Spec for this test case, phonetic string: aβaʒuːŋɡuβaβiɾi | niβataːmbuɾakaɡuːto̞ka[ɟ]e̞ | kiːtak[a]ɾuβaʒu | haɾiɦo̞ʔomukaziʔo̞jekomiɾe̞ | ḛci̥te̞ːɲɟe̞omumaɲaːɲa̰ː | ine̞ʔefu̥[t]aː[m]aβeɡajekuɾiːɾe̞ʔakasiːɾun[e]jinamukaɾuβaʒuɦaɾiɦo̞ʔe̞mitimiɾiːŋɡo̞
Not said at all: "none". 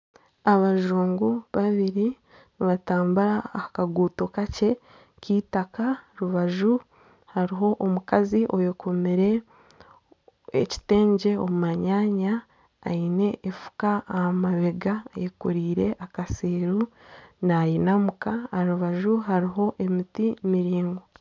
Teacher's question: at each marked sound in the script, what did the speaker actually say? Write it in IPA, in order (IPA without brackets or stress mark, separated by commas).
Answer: c, a, k, m, a